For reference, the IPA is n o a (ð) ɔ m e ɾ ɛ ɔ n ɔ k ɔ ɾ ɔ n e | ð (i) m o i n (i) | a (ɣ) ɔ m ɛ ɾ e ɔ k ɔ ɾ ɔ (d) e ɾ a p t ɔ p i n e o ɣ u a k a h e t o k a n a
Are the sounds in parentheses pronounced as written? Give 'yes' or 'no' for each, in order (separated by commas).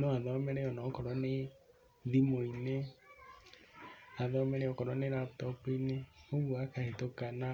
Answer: yes, yes, no, no, no